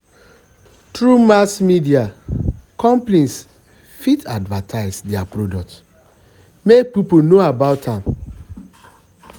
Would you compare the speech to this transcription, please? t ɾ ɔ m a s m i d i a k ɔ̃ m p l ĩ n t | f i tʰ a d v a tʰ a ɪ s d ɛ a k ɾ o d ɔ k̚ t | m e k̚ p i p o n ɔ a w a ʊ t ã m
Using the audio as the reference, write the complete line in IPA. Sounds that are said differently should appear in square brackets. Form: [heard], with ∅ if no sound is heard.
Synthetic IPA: t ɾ [u] m a s m i d i a k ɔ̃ m p l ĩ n [s] | f i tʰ a d v a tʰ a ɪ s d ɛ a [p] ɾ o d ɔ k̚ t | m e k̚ p i p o n [o] a [b] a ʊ t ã m